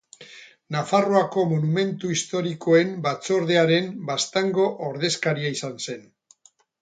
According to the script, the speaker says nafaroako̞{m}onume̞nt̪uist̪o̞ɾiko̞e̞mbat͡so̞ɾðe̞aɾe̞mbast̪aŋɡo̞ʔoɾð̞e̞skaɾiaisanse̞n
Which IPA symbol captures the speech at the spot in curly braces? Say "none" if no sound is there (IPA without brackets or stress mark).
m